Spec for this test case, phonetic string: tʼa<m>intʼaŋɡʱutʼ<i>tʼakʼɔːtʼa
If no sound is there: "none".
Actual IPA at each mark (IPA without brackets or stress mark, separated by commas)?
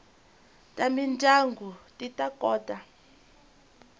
m, i